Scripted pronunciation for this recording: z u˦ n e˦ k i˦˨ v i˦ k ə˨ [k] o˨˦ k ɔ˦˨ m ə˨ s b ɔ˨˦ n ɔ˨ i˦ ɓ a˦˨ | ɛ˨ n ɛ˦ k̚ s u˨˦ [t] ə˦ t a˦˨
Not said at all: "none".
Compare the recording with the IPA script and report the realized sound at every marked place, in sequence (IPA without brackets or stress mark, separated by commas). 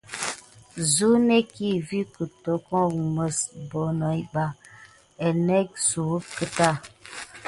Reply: t, k